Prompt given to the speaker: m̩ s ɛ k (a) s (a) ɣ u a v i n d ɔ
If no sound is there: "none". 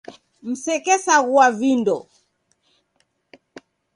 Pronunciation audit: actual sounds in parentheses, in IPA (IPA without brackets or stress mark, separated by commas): ɛ, a